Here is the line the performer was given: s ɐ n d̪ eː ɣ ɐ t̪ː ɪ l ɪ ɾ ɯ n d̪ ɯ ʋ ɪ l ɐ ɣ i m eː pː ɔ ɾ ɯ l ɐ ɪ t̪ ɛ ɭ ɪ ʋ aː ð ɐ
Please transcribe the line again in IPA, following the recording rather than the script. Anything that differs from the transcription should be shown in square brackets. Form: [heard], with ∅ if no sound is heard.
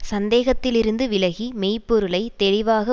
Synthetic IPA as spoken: s ɐ n d̪ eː ɣ ɐ t̪ː ɪ l ɪ ɾ ɯ n d̪ ɯ ʋ ɪ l ɐ ɣ i m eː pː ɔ ɾ ɯ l ɐ ɪ t̪ ɛ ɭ ɪ ʋ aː [ɣ] ɐ